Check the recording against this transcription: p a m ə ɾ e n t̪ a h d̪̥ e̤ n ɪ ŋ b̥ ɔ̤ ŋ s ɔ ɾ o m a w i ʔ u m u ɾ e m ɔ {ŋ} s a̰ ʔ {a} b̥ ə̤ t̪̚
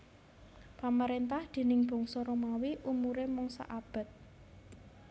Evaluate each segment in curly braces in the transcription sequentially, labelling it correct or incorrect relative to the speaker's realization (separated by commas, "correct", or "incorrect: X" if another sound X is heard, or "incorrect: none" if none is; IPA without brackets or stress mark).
correct, correct